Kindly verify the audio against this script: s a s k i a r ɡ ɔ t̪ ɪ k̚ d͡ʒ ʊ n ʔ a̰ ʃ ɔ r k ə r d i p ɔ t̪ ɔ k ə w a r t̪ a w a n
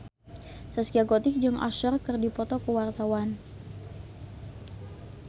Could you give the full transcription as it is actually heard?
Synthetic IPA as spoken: s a s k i a ɡ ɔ t̪ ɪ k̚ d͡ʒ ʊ ŋ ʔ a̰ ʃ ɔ r k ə r d i p ɔ t̪ ɔ k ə w a r t̪ a w a n